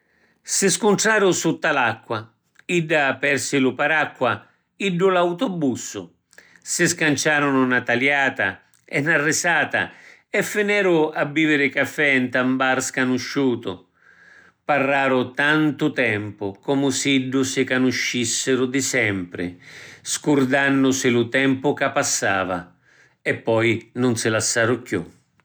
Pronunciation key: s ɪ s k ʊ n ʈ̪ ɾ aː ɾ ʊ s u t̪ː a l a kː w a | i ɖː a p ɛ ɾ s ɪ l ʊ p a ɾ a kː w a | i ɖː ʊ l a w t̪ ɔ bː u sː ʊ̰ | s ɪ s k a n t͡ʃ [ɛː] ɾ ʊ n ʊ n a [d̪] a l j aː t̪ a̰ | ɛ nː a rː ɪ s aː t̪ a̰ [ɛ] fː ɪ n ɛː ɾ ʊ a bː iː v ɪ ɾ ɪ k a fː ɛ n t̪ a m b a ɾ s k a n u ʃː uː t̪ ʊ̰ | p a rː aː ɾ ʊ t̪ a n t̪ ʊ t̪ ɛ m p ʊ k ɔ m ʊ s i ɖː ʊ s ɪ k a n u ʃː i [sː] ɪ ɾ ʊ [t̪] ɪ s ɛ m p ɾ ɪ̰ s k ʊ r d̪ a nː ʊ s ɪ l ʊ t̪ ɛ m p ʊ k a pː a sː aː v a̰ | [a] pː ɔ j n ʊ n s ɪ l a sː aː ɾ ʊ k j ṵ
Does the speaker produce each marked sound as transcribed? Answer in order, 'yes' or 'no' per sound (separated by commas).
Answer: no, no, yes, yes, no, no